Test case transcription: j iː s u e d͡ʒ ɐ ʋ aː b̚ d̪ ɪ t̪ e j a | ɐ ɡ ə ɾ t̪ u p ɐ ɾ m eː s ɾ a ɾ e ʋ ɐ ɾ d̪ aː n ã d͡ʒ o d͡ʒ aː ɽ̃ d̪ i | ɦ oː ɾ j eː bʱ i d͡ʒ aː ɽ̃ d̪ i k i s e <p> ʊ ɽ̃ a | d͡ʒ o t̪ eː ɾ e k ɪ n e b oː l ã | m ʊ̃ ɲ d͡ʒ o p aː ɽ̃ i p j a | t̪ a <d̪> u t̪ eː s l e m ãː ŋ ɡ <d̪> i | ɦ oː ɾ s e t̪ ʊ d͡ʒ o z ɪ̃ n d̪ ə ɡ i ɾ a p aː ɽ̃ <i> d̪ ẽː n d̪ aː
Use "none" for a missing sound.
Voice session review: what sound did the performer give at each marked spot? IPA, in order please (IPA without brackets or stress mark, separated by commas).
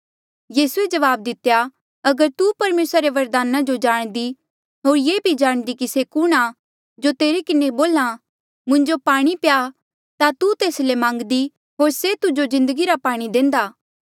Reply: k, t̪, d̪, i